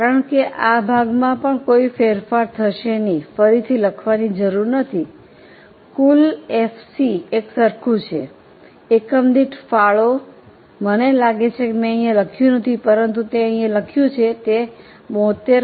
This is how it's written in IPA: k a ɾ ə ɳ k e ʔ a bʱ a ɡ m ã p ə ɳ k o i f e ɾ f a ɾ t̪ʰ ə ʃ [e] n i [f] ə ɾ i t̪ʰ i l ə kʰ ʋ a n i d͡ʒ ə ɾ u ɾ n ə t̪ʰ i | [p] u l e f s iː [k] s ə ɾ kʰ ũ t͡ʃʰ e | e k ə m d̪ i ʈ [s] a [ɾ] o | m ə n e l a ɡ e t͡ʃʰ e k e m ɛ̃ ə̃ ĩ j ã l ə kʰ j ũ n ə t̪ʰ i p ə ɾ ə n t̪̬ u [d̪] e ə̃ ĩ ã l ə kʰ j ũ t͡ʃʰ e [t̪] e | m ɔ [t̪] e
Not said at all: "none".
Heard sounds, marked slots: e, f, k, k, f, ɭ, t̪, t̪, t̪

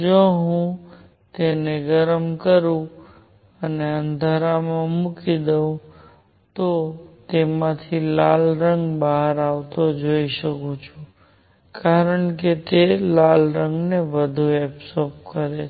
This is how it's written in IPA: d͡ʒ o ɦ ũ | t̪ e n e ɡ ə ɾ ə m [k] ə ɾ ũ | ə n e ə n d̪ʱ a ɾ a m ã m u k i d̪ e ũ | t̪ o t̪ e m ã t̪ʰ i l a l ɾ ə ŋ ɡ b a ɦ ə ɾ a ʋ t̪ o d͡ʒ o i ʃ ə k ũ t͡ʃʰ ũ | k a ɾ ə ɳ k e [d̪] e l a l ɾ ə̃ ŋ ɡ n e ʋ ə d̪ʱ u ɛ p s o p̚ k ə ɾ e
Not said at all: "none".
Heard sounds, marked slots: k, t̪

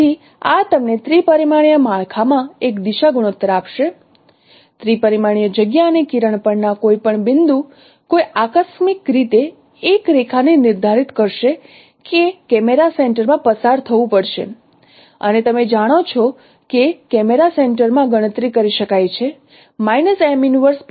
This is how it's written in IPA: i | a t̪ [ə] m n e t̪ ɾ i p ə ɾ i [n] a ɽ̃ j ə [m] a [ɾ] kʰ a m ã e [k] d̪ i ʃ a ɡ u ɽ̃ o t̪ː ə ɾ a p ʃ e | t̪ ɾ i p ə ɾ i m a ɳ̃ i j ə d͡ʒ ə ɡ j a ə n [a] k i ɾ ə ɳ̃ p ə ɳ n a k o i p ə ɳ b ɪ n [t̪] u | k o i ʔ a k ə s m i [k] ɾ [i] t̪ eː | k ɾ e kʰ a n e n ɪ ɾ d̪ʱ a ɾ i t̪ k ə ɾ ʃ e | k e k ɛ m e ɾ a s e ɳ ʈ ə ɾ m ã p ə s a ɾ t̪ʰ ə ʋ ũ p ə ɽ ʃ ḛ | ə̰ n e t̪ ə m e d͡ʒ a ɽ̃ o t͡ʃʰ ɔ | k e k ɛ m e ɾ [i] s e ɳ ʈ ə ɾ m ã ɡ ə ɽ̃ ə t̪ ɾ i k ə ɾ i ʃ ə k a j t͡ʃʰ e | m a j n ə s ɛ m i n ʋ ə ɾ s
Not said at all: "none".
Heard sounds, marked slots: ə, m, m, ɭ, k, e, d̪, k, i, a

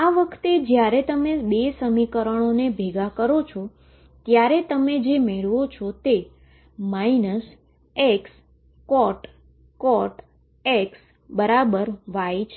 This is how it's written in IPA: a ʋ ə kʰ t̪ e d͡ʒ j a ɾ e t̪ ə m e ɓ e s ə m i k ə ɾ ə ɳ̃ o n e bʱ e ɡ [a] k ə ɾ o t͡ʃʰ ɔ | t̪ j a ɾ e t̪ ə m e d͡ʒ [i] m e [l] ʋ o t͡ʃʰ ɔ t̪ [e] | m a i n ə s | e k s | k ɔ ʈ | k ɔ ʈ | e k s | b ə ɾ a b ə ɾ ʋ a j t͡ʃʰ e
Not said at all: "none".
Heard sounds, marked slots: a, e, ɭ, e

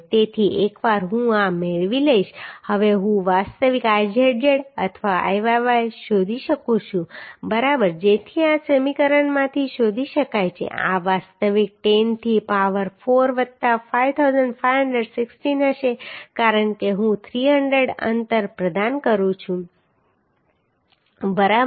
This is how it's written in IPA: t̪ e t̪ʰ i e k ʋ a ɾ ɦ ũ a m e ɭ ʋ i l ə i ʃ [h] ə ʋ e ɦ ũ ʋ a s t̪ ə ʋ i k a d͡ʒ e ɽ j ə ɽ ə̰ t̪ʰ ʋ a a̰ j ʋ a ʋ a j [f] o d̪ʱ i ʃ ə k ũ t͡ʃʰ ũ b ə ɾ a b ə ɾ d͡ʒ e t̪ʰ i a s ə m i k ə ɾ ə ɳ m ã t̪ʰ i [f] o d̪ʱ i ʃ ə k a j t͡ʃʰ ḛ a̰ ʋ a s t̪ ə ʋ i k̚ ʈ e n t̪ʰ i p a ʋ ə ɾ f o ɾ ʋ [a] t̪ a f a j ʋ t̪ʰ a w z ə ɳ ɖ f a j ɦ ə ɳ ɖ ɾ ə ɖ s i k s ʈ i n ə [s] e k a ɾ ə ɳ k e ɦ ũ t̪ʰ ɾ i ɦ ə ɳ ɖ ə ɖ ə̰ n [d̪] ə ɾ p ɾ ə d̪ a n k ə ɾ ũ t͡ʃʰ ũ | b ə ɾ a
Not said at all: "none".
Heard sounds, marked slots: h, ʃ, ʃ, ə, ʃ, t̪

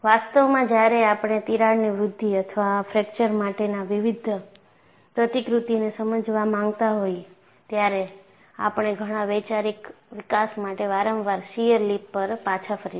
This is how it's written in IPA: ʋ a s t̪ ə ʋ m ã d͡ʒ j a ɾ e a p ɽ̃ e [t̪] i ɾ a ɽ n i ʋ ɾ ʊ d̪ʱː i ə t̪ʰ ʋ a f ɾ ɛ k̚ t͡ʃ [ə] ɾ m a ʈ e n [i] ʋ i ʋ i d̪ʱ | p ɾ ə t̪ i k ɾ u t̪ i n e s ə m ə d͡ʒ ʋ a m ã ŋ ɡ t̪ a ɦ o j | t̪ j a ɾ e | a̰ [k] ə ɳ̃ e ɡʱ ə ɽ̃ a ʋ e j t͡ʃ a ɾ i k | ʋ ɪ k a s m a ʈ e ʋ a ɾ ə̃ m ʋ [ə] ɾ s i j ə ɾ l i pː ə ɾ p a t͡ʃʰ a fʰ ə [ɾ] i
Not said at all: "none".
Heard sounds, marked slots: t̪, ə, a, p, a, ɾ

